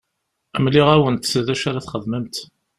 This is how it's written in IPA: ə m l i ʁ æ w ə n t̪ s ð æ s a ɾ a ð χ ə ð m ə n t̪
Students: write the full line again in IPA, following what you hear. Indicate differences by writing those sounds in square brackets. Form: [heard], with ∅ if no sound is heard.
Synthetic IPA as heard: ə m l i ʁ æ w ə n t̪ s ð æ [ʃ] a ɾ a [θ] χ ə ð m ə [m] t̪